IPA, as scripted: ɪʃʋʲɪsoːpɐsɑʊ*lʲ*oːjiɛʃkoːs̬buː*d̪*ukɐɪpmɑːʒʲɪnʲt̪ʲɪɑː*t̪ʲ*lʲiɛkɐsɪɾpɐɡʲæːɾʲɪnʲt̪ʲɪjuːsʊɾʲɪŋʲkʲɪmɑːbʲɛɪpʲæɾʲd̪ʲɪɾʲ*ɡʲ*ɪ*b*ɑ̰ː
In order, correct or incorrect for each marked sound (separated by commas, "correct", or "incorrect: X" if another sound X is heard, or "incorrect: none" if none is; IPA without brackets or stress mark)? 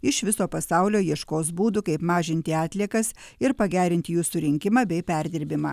correct, correct, correct, incorrect: bʲ, incorrect: m